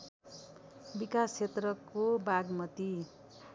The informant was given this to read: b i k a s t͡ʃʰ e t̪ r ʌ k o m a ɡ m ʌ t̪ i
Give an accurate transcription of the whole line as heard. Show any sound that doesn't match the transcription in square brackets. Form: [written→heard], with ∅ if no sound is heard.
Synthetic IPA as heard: b i k a s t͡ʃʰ e t̪ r ʌ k o [m→b] a ɡ m ʌ t̪ i